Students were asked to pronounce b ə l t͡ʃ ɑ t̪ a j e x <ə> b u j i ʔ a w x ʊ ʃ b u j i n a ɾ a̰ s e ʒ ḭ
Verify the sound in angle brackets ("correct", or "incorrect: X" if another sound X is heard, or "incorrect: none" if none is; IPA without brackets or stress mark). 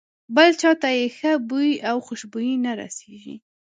correct